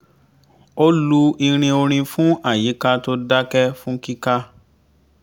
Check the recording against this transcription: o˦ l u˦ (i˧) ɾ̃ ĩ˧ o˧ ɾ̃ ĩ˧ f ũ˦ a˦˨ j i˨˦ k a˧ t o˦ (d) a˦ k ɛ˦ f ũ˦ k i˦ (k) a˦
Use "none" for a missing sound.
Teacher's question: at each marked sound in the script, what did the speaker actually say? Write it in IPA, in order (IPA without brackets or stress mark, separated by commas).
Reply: i˧, d, k